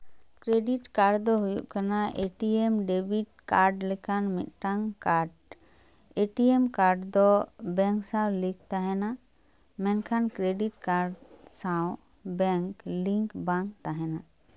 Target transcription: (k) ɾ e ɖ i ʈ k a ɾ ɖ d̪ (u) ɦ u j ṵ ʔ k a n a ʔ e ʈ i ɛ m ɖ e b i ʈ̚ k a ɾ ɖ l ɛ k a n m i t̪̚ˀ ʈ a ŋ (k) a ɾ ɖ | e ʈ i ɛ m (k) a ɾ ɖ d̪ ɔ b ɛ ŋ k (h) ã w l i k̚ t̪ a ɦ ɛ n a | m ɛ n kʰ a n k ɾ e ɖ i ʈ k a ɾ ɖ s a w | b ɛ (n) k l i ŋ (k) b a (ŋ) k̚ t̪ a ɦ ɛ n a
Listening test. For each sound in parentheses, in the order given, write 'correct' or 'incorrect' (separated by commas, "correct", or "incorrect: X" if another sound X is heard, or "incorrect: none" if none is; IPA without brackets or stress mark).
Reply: correct, incorrect: ɔ, correct, correct, incorrect: s, incorrect: ŋ, correct, correct